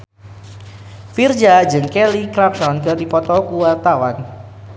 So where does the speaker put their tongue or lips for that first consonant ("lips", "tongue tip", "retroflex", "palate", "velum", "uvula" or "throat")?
lips